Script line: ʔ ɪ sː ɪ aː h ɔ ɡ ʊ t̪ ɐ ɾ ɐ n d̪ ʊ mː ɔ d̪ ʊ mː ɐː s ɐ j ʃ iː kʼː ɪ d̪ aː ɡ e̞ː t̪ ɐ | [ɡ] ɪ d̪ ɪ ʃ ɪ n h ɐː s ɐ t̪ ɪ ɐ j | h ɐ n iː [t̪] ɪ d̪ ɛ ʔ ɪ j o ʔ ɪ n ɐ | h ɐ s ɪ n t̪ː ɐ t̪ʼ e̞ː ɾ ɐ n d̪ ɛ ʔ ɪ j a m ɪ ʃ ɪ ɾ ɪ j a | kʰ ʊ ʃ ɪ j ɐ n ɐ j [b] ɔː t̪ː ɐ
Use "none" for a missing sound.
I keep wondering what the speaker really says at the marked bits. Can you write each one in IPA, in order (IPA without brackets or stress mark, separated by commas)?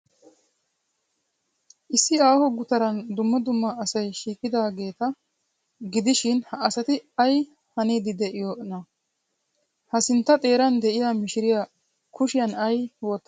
ɡ, d̪, w